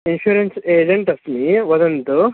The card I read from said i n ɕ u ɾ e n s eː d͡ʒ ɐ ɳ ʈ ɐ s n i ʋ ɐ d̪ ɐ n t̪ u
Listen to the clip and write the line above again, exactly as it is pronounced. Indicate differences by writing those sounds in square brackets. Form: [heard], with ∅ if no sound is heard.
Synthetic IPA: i n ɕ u ɾ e n s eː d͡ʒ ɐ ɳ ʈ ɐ s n i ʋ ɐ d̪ ɐ n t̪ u